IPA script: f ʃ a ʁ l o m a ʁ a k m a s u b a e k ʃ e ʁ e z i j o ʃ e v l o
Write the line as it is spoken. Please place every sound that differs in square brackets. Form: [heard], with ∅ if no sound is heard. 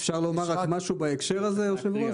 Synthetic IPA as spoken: f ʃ a ʁ l o m a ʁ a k m a [ʃ] u b a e k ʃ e ʁ [a] z [e] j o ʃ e v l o